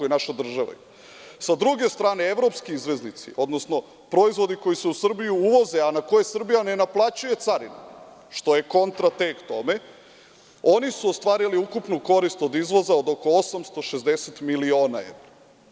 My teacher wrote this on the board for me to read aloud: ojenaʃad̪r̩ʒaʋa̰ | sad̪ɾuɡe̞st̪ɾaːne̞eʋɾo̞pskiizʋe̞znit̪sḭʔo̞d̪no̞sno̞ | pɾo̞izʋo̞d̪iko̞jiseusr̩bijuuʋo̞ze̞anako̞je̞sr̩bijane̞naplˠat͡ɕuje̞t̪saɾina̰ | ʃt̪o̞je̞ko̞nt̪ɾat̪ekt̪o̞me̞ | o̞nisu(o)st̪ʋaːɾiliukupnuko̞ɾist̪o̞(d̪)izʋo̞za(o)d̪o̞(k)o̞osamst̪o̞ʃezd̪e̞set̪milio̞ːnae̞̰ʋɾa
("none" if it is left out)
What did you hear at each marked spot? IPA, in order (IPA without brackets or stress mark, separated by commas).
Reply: o, d̪, o, k